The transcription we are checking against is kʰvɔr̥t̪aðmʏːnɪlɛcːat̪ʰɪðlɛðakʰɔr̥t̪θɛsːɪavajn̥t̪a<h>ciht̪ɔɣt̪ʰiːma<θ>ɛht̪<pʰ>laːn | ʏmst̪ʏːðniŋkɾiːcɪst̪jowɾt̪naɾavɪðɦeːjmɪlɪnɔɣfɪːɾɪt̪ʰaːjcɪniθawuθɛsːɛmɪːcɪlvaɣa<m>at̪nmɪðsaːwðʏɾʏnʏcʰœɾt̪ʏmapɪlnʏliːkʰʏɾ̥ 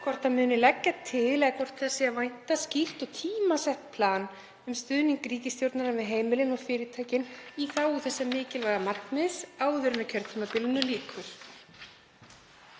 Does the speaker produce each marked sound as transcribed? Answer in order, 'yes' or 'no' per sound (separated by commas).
no, no, yes, yes